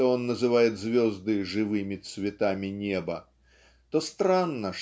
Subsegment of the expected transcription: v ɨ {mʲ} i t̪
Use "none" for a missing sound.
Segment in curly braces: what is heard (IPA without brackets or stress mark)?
mʲ